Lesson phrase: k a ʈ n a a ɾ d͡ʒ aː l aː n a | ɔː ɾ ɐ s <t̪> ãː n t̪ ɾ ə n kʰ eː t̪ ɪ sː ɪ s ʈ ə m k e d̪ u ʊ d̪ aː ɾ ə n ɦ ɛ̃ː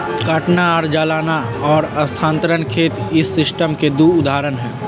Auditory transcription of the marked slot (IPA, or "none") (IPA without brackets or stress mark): t̪ʰ